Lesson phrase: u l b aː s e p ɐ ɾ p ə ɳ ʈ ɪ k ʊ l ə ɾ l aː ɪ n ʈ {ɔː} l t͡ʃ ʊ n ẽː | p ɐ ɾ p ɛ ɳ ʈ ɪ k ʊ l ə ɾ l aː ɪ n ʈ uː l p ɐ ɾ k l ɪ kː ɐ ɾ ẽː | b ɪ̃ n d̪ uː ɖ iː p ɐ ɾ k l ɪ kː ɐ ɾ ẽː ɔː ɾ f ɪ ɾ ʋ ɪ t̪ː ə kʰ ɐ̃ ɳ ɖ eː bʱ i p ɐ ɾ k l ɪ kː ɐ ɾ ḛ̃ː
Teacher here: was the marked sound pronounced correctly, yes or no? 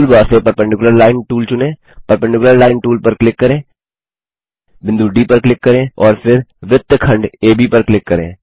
no